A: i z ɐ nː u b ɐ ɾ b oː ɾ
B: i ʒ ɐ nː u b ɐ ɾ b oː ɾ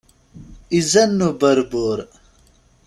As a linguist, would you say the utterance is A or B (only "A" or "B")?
A